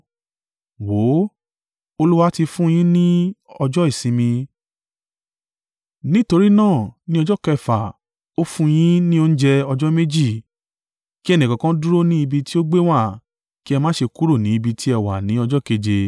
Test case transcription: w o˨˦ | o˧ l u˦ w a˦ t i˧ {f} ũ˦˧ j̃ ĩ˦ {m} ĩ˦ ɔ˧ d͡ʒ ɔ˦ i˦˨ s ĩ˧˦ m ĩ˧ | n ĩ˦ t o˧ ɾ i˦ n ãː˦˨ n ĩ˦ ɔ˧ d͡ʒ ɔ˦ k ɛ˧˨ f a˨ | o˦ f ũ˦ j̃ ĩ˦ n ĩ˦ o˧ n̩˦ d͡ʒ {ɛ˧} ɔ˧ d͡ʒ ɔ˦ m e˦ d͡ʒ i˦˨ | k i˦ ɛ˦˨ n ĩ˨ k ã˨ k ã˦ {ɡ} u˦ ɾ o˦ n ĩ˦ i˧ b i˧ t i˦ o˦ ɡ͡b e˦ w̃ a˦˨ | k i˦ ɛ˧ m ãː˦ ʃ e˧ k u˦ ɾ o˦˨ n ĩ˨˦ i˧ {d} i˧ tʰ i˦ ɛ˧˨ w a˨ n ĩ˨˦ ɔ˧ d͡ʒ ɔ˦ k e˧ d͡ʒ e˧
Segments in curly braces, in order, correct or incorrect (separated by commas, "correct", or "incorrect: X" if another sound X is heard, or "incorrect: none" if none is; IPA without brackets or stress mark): correct, incorrect: n, correct, incorrect: d, incorrect: b